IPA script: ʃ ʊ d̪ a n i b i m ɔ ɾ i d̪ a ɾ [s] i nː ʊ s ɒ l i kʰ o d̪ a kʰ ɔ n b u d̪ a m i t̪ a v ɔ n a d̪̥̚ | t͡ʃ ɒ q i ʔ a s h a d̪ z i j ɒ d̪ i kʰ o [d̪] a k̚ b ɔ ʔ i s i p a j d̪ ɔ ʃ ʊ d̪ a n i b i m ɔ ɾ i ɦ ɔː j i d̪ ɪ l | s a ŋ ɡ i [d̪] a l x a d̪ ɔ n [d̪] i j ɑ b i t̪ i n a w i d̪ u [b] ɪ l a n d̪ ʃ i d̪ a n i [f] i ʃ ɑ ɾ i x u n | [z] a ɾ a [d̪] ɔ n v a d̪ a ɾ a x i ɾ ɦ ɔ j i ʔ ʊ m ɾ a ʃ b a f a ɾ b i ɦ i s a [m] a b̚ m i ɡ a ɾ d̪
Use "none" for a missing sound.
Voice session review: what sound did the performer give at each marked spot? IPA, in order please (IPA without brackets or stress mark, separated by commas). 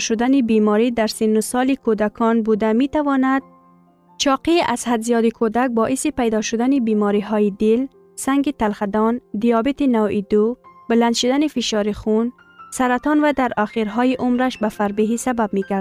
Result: s, d̪, t̪, d̪, b, f, s, t̪, b